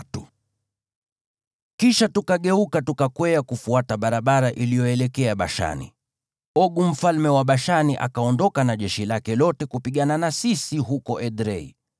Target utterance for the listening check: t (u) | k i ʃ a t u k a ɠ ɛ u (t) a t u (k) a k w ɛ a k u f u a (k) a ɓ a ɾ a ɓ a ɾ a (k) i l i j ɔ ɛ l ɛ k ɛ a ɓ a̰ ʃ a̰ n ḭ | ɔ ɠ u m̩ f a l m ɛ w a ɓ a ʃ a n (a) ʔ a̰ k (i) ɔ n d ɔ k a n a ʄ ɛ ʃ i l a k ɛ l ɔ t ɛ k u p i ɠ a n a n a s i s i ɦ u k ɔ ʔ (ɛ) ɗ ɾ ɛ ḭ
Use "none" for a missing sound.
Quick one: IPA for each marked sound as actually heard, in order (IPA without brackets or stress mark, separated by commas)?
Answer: u, k, k, t, ʔ, i, a, ɛ